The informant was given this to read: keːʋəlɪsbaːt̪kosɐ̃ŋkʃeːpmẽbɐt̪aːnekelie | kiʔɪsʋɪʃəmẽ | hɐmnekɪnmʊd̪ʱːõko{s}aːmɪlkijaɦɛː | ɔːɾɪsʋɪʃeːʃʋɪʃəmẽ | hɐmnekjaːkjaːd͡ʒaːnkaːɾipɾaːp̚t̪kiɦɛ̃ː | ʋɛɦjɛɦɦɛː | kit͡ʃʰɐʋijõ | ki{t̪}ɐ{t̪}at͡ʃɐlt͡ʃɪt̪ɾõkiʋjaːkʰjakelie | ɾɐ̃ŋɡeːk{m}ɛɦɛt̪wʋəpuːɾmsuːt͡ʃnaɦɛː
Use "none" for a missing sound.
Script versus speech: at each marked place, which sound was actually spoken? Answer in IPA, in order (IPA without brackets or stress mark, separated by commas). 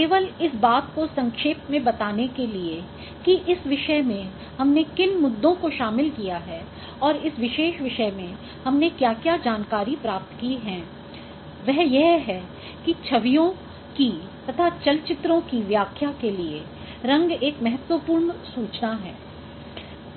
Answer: ʃ, t̪, t̪ʰ, m